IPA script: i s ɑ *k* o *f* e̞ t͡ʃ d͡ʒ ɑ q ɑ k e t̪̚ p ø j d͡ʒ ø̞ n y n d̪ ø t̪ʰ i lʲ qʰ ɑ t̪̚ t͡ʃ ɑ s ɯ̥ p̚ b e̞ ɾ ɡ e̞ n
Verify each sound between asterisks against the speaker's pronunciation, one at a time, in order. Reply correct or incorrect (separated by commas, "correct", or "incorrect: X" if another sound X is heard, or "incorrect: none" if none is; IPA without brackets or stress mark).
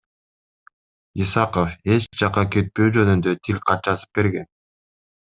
incorrect: q, correct